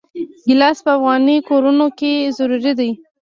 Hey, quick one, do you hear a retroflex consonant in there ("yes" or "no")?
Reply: no